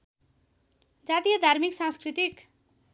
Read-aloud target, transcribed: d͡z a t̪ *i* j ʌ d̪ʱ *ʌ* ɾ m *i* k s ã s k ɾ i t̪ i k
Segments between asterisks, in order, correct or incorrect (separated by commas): correct, incorrect, correct